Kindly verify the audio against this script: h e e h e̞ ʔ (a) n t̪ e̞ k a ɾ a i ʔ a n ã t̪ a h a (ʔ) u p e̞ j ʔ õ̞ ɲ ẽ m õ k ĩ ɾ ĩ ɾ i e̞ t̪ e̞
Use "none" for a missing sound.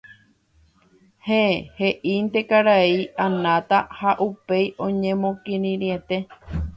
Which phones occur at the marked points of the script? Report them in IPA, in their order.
i, ʔ

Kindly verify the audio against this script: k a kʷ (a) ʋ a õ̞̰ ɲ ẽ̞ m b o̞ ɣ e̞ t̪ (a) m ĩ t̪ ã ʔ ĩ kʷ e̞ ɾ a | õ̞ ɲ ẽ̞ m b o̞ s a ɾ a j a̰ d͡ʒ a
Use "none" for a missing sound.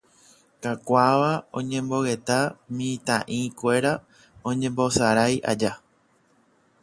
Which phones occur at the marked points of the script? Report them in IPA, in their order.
a, a

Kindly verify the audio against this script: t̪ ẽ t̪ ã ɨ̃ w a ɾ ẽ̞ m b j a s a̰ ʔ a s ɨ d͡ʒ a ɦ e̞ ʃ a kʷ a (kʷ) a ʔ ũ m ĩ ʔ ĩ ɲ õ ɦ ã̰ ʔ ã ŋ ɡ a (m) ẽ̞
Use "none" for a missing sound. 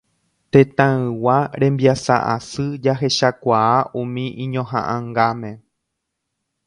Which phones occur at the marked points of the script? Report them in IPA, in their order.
none, m

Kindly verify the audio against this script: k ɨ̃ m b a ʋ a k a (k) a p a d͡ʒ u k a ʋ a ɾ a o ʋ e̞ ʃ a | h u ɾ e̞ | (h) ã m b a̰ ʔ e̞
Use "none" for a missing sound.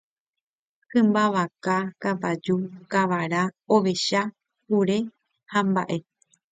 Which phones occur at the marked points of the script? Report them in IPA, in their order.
k, h

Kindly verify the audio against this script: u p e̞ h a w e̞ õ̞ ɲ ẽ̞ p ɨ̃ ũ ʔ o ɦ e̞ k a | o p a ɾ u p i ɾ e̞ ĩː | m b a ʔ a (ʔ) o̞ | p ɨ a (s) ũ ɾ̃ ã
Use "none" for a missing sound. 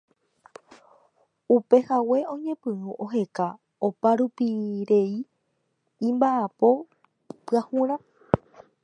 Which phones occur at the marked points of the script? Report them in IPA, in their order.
p, h

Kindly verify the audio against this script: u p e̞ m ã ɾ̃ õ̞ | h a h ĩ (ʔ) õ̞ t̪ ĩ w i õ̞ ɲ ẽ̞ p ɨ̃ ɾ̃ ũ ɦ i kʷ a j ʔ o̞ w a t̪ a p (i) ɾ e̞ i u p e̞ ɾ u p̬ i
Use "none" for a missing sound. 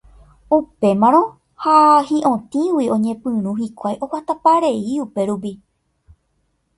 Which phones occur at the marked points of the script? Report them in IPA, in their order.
ʔ, a

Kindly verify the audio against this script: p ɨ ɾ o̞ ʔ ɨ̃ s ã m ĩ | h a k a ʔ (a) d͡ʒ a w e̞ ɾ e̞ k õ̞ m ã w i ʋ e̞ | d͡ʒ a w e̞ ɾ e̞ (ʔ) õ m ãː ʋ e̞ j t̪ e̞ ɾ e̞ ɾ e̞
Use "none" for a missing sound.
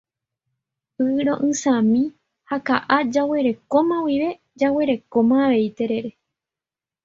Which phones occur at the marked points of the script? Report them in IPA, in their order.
a, k

